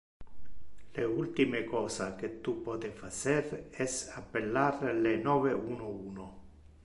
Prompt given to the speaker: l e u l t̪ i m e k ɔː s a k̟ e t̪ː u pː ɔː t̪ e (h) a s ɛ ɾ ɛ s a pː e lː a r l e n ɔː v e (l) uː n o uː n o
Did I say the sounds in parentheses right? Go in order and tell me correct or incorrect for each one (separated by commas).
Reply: incorrect, incorrect